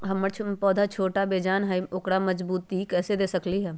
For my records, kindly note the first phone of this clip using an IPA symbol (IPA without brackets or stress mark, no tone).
ɦ